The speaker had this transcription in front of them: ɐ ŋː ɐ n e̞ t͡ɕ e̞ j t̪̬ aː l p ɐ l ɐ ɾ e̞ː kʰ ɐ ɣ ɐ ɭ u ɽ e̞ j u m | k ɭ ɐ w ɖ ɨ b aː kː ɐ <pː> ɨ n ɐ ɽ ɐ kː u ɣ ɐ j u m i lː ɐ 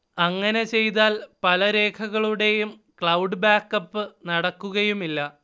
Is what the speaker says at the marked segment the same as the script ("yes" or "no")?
yes